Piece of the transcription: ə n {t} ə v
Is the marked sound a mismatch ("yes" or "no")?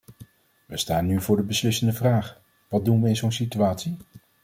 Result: yes